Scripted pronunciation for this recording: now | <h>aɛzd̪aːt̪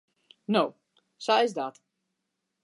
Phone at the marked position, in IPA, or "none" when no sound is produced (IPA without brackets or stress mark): s